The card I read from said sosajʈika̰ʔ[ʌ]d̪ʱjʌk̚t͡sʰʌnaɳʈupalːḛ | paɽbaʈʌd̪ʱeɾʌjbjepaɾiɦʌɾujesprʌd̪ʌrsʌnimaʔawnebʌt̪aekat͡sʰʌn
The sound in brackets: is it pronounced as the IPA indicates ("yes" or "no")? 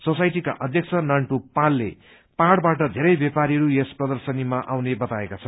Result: yes